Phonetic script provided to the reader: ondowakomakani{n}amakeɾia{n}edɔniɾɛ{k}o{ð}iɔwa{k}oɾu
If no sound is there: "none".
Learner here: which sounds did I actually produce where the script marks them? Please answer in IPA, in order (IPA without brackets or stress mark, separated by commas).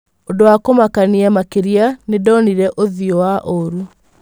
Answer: none, n, ʔ, ð, ʔ